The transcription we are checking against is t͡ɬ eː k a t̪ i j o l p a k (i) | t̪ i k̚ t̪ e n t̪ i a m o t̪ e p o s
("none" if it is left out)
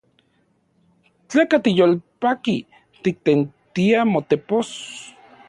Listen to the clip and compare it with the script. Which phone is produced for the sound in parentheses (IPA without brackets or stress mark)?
i